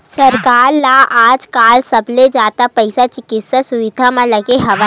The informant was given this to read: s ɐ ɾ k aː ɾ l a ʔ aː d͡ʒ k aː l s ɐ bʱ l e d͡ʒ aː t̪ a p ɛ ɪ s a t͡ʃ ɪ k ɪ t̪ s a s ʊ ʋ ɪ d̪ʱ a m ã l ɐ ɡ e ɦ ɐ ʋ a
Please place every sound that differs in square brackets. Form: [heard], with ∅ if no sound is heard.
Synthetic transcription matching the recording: s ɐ ɾ k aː ɾ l a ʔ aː d͡ʒ k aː l s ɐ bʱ l e d͡ʒ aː t̪ a p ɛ ɪ s a t͡ʃ ɪ k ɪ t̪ s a s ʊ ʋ ɪ d̪ʱ a m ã l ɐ ɡ e ɦ ɐ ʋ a